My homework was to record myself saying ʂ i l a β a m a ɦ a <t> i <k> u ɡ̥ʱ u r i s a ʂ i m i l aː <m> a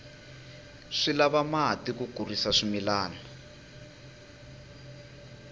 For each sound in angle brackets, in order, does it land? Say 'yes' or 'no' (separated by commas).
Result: yes, yes, no